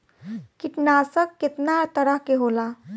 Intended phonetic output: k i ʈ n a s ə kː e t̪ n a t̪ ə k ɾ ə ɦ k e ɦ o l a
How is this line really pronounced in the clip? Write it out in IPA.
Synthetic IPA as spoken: k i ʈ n a s ə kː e t̪ n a t̪ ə ɾ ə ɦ k e ɦ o l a